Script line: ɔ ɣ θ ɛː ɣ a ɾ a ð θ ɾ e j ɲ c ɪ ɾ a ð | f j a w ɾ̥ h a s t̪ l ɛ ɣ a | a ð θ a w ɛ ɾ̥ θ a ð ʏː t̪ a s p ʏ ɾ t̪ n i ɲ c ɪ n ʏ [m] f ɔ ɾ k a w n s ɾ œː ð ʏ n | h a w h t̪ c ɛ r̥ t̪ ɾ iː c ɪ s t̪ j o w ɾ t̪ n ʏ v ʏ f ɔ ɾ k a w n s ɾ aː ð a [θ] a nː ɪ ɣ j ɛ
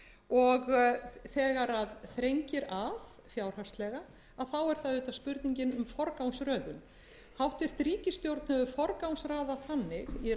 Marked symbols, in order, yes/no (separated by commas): yes, yes